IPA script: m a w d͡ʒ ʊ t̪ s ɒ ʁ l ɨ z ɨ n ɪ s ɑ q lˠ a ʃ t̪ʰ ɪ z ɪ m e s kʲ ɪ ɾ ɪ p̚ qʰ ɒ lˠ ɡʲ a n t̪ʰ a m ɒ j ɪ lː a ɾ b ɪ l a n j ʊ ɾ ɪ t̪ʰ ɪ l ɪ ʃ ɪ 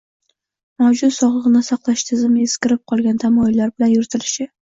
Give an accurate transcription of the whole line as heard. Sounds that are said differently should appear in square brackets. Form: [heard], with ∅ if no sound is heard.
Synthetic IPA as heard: m a w d͡ʒ ʊ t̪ s ɒ ʁ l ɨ [ʁ] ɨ n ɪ s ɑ q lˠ a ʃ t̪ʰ ɪ z ɪ m e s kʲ ɪ ɾ ɪ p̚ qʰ ɒ lˠ ɡʲ a n t̪ʰ a m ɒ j ɪ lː a ɾ b ɪ l a n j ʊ ɾ ɪ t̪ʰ ɪ l ɪ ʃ ɪ

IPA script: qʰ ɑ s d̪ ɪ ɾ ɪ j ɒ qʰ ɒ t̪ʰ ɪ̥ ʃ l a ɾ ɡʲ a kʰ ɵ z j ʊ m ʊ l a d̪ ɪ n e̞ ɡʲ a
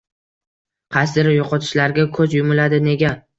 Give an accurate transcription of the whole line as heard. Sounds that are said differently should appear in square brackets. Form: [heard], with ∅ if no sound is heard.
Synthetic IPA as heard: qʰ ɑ s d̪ ɪ ɾ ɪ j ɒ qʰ ɒ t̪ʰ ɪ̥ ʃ l a ɾ ɡʲ a kʰ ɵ z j ʊ m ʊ l a d̪ ɪ n e̞ ɡʲ a

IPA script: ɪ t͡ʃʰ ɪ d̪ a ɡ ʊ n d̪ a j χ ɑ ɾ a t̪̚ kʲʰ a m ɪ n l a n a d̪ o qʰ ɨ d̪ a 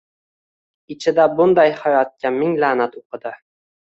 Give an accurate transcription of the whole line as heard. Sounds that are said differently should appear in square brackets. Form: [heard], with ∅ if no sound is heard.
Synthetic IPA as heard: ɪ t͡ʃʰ ɪ d̪ a [b] ʊ n d̪ a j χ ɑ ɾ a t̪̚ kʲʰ a m ɪ [ŋ] l a n a [t̪] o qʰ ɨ d̪ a

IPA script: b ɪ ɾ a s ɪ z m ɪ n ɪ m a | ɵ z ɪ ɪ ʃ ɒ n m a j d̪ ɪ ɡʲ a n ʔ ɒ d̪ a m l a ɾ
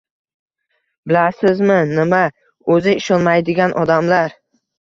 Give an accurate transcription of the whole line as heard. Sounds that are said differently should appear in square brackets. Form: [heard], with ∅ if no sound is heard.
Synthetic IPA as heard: b ɪ [l] a s ɪ z m ɪ n ɪ m a | ɵ z ɪ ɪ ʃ ɒ n m a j d̪ ɪ ɡʲ a n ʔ ɒ d̪ a m l a ɾ

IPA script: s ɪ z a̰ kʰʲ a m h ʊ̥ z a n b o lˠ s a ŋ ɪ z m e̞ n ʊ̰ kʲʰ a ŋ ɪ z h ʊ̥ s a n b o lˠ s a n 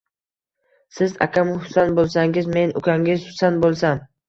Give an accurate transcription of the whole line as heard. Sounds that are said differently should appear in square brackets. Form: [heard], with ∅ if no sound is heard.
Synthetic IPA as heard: s ɪ z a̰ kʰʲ a m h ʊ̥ [s] a n b o lˠ s a ŋ ɪ z m e̞ n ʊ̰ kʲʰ a ŋ ɪ z h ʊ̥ s a n b o lˠ s a n

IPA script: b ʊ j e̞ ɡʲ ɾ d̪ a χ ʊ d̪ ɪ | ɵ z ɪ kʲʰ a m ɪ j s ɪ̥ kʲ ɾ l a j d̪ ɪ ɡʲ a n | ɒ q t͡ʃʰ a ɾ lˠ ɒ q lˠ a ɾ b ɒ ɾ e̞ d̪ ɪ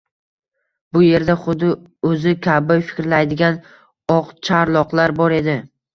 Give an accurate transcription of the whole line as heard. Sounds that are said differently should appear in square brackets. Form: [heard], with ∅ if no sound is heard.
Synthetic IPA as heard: b ʊ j e̞ [∅] ɾ d̪ a χ ʊ d̪ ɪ | ɵ z ɪ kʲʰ a [b] ɪ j [f] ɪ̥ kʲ ɾ l a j d̪ ɪ ɡʲ a n | ɒ q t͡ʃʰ a ɾ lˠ ɒ q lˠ a ɾ b ɒ ɾ e̞ d̪ ɪ

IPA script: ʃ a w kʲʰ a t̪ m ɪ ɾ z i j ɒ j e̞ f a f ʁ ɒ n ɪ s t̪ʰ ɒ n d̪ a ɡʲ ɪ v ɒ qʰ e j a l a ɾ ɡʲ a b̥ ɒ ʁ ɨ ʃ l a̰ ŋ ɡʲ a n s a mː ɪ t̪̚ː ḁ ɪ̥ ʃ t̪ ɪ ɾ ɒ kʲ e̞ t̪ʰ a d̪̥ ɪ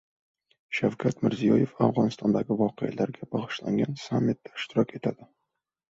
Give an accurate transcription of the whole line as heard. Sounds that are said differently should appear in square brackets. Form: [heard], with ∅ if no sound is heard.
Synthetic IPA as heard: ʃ a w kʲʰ a t̪ m ɪ ɾ z i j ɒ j e̞ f a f ʁ ɒ n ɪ s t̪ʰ ɒ n d̪ a ɡʲ ɪ v ɒ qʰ e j a l a ɾ ɡʲ a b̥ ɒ ʁ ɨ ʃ l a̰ ŋ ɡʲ a n s a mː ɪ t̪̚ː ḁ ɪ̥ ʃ t̪ ɪ ɾ ɒ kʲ e̞ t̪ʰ a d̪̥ ɪ

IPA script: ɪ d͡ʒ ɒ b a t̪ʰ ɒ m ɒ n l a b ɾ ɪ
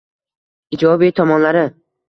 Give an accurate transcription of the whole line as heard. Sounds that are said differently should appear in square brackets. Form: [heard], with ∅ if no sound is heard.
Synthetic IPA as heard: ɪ d͡ʒ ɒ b [i] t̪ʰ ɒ m ɒ n l a [∅] ɾ ɪ

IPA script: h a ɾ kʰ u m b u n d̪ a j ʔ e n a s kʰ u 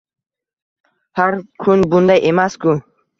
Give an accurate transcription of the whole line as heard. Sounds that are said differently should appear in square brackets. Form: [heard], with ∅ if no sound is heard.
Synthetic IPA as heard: h a ɾ kʰ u [n] b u n d̪ a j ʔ e [m] a s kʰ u

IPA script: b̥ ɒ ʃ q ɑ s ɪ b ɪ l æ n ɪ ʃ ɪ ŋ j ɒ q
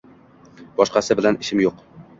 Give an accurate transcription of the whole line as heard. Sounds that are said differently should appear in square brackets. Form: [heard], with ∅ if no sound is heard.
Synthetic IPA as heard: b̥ ɒ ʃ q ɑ s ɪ b ɪ l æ n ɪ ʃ ɪ [m] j [o] q

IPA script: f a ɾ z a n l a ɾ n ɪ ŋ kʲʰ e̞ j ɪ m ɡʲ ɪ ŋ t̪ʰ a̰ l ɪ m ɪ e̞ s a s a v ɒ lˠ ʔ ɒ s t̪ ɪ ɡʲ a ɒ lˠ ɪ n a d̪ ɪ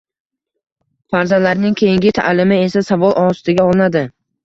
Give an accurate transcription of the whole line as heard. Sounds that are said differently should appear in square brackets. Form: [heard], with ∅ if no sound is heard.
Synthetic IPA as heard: f a ɾ z a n l a ɾ n ɪ ŋ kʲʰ e̞ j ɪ [ŋ] ɡʲ ɪ [∅] t̪ʰ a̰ l ɪ m ɪ e̞ s a s a v ɒ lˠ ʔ ɒ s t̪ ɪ ɡʲ a ɒ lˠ ɪ n a d̪ ɪ

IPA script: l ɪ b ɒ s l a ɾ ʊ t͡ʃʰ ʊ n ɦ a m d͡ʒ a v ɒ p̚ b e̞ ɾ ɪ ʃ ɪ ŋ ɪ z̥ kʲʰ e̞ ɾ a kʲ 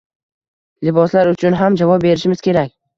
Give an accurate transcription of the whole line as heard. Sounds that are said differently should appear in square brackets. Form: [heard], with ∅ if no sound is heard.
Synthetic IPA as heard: l ɪ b ɒ s l a ɾ ʊ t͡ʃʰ ʊ n ɦ a m d͡ʒ a v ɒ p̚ b e̞ ɾ ɪ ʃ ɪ [m] ɪ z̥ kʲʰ e̞ ɾ a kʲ

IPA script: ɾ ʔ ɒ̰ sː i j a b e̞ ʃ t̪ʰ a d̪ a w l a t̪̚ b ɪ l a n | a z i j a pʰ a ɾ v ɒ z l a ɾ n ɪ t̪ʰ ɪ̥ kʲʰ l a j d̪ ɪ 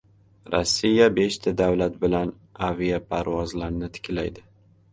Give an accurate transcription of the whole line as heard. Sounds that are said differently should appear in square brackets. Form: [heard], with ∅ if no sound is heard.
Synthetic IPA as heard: ɾ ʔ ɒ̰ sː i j a b e̞ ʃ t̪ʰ a d̪ a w l a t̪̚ b ɪ l a n | a [v] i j a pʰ a ɾ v ɒ z l a ɾ n ɪ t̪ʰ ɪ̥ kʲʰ l a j d̪ ɪ

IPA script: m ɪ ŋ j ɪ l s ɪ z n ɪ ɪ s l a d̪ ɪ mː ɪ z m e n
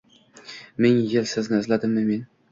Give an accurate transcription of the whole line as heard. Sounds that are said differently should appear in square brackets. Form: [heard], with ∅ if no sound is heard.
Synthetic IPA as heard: m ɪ ŋ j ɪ l s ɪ z n ɪ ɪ [z] l a d̪ ɪ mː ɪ [∅] m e n

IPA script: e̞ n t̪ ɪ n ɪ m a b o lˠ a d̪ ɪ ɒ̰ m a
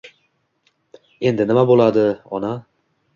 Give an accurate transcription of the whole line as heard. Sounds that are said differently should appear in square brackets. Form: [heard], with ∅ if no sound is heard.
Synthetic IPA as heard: e̞ n [d̪] ɪ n ɪ m a b o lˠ a d̪ ɪ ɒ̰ [n] a

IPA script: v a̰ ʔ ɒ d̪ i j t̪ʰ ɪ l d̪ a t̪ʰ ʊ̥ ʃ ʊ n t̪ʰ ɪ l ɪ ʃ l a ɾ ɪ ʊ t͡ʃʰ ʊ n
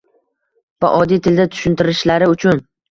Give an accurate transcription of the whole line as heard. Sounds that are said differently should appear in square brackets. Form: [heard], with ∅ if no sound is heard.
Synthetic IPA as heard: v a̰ ʔ ɒ d̪ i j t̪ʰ ɪ l d̪ a t̪ʰ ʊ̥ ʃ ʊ n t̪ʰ ɪ [ɾ] ɪ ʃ l a ɾ ɪ ʊ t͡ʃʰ ʊ n

